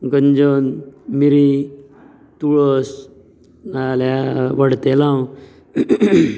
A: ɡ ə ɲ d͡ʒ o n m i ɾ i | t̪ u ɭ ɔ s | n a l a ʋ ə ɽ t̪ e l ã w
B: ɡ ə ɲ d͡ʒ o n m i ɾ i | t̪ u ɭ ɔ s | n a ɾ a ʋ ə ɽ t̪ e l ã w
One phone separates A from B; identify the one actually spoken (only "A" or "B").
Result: A